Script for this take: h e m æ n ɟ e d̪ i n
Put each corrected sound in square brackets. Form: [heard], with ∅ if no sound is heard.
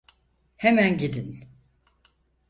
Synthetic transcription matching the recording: h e m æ n ɟ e d̪ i n